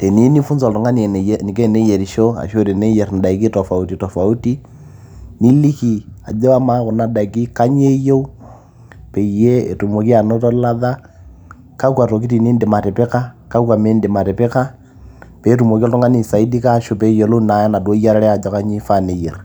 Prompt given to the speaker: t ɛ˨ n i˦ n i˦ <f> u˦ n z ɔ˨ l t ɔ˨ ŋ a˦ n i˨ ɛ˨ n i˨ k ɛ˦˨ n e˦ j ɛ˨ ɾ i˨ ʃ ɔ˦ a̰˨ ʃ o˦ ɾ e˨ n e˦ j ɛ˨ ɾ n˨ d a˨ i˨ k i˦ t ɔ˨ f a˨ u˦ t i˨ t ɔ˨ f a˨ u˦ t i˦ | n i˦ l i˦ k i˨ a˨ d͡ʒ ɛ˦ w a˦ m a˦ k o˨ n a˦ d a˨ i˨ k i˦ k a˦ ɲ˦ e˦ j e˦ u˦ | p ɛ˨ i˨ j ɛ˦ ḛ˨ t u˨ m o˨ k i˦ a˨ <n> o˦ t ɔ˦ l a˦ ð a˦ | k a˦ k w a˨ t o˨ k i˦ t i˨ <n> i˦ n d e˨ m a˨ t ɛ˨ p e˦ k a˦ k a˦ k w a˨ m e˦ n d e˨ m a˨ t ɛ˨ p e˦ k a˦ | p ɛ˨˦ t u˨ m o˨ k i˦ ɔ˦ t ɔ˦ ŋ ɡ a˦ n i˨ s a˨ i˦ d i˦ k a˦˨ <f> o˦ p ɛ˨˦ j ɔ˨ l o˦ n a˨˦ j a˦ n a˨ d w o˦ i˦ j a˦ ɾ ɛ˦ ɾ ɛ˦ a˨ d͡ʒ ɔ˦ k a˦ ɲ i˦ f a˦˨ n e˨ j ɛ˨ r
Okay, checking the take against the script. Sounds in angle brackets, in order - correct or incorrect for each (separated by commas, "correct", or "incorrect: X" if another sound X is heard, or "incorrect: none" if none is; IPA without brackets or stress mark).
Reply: correct, correct, correct, incorrect: ʃ